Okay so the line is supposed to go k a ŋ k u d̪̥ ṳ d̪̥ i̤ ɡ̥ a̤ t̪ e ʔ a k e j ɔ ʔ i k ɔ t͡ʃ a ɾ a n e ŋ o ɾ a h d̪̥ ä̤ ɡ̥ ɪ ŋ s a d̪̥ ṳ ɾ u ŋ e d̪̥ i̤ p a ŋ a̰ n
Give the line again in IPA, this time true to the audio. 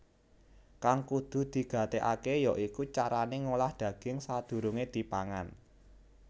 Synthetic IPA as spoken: k a ŋ k u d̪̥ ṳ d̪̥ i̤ ɡ̥ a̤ t̪ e ʔ a k e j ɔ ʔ i k u t͡ʃ a ɾ a n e ŋ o l a h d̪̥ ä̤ ɡ̥ ɪ ŋ s a d̪̥ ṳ ɾ u ŋ e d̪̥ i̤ p a ŋ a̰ n

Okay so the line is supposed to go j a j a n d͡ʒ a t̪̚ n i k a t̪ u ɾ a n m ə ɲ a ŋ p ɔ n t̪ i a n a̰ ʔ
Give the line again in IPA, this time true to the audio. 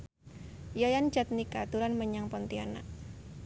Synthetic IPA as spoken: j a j a n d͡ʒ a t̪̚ n i k a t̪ u ɾ a n m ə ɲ a ŋ p ɔ n t̪ i a n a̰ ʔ

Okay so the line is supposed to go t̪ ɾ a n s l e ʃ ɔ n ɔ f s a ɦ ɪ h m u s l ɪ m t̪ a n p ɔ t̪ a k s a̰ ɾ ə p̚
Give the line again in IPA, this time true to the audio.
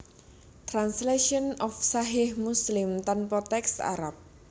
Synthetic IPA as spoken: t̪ ɾ a n s l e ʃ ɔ n ɔ f s a ɦ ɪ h m u s l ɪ m t̪ a n p ɔ t̪ ɛ k s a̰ ɾ a p̚

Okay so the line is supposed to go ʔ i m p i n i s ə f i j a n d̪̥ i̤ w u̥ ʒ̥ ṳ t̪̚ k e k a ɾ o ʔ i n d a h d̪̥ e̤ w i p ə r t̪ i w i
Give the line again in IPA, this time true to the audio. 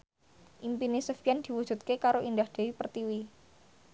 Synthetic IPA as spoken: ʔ i m p i n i s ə f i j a n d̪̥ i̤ w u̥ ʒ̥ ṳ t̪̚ k e k a ɾ o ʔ i n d a h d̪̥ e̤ w i p ə r t̪ i w i

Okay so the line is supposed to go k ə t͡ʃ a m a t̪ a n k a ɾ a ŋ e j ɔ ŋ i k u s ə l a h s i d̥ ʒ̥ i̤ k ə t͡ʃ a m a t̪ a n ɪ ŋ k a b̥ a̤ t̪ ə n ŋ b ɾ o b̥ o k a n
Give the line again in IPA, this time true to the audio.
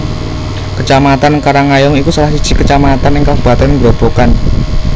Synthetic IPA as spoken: k ə t͡ʃ a m a t̪ a n k a ɾ a ŋ a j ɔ ŋ i k u s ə l a h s i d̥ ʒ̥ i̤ k ə t͡ʃ a m a t̪ a n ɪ ŋ k a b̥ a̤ t̪ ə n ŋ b ɾ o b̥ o k a n

